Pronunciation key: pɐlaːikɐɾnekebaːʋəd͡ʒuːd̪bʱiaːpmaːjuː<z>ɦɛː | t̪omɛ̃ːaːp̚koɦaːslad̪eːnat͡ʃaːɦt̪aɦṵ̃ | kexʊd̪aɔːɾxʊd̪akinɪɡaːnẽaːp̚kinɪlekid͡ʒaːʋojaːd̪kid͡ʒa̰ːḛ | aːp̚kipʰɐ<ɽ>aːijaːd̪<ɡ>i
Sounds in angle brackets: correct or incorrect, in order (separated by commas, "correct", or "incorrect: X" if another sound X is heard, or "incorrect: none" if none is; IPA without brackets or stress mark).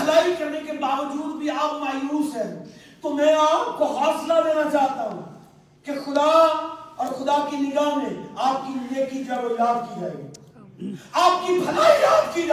incorrect: s, incorrect: l, incorrect: k